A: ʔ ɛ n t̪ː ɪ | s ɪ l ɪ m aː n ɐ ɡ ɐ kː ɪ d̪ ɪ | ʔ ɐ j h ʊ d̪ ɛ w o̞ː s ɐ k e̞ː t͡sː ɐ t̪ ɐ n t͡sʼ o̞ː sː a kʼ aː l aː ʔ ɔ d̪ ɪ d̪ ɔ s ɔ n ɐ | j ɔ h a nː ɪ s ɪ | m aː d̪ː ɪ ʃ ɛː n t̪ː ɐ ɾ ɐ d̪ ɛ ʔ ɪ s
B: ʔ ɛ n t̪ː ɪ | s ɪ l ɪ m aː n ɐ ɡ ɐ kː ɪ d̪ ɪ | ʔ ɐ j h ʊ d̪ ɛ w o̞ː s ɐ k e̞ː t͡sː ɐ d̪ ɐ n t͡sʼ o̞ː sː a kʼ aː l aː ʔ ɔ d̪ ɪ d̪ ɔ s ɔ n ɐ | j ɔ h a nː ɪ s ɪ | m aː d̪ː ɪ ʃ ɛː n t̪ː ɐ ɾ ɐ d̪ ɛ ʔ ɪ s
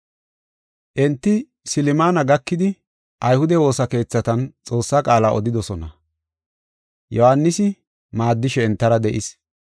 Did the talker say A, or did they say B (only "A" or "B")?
A